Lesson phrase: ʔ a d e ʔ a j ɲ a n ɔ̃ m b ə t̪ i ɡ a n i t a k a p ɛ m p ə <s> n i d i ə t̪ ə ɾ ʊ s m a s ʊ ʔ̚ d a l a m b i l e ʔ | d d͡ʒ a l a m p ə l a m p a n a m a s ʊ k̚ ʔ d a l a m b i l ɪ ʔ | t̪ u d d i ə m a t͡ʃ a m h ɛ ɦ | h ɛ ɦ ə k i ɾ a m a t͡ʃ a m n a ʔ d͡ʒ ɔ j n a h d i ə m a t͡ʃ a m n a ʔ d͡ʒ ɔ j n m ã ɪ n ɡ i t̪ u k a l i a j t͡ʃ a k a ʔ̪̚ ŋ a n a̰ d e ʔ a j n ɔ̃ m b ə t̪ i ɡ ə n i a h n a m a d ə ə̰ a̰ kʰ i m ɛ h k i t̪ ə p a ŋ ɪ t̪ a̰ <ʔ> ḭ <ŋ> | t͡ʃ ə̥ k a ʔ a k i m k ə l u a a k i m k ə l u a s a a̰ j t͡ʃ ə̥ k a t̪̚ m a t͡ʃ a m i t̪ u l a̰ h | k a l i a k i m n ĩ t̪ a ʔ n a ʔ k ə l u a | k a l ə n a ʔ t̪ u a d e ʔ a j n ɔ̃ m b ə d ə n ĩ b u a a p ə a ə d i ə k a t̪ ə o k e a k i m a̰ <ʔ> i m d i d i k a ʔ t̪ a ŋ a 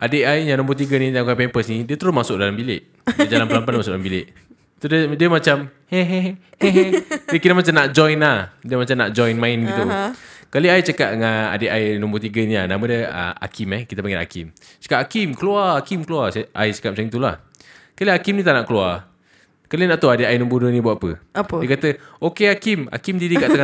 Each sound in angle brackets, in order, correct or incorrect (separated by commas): correct, incorrect, incorrect, incorrect